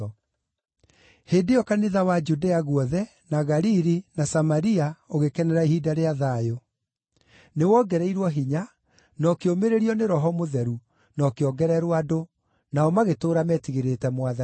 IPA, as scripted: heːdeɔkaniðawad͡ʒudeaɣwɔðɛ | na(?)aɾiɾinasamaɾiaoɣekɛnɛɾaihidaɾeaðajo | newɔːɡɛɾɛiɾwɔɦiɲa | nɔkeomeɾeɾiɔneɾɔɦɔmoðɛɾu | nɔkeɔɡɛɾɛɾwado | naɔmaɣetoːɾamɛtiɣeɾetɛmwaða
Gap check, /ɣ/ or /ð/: ɣ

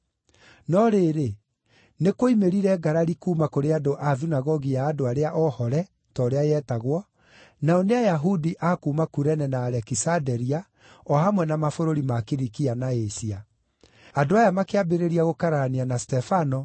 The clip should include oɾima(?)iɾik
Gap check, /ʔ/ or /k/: k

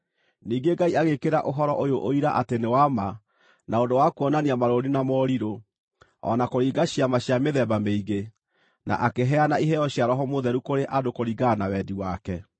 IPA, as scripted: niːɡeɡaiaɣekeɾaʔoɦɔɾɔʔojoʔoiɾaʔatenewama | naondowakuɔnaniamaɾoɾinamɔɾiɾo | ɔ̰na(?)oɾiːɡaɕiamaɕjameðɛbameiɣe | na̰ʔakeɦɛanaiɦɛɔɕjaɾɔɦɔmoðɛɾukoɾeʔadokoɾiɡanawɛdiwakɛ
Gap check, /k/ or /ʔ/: k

